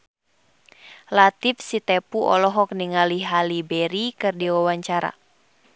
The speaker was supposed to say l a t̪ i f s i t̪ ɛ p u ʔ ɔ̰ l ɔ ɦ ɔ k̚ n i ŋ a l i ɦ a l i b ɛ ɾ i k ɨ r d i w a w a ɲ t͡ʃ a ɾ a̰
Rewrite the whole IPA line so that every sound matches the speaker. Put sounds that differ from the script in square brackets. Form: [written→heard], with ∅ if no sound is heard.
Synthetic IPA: l a t̪ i f s i t̪ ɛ p u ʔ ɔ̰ l ɔ ɦ ɔ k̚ n i ŋ a l i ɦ a l i b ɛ ɾ i k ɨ r d i w a w a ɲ t͡ʃ a ɾ a̰